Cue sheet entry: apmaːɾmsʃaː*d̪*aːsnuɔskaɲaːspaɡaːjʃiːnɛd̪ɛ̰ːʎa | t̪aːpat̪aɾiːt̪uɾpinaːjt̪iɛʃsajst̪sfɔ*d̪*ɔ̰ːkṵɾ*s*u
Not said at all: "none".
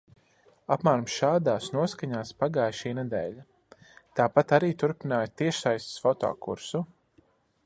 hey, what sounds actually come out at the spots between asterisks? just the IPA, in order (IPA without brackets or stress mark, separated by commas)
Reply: d̪, t̪, s